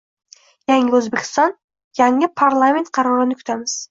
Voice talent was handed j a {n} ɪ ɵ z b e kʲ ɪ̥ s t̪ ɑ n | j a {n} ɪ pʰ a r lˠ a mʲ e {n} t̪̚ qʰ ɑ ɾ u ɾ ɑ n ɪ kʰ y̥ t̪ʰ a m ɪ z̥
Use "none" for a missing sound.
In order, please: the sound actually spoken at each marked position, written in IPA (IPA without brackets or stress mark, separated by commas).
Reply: ŋ, ŋ, n